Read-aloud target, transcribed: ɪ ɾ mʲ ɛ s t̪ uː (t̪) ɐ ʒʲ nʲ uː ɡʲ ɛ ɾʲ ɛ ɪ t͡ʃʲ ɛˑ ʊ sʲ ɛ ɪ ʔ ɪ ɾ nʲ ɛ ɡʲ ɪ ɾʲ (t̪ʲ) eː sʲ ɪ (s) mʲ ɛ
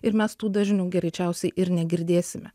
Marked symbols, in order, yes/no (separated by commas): no, no, no